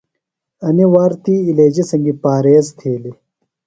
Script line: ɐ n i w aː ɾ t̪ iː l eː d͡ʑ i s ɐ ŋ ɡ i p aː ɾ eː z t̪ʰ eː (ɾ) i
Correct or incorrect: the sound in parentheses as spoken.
incorrect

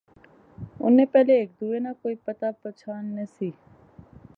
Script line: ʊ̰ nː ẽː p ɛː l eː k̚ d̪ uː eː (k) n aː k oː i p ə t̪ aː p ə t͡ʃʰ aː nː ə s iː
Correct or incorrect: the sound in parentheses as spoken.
incorrect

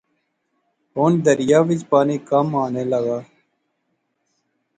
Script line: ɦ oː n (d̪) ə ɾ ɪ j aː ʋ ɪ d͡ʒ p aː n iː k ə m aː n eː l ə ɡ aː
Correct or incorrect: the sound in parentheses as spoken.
correct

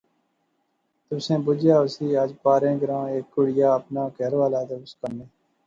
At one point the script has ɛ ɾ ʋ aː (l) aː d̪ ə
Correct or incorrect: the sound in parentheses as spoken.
correct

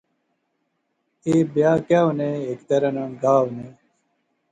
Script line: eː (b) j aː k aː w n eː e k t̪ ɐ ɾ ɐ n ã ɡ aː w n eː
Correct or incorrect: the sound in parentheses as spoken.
correct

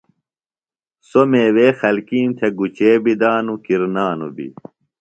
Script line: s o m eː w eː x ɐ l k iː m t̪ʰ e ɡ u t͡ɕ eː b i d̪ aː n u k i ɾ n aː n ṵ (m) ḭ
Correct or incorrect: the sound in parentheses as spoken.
incorrect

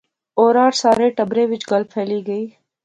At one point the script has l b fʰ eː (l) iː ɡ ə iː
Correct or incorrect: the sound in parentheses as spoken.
correct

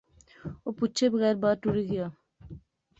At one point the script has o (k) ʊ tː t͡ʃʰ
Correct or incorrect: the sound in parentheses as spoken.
incorrect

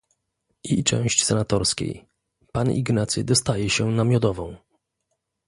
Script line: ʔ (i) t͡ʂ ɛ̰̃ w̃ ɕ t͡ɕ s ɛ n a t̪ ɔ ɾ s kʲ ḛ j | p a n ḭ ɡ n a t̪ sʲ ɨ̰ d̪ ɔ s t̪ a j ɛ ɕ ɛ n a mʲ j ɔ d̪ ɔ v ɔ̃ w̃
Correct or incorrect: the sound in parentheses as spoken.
correct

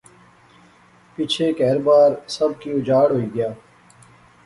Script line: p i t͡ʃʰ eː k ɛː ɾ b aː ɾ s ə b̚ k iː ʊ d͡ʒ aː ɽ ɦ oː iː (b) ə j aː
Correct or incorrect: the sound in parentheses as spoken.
incorrect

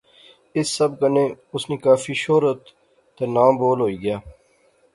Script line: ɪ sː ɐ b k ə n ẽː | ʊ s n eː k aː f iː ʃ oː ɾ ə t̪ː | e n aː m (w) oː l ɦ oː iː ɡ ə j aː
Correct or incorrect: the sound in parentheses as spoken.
incorrect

